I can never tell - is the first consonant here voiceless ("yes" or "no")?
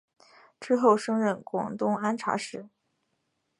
yes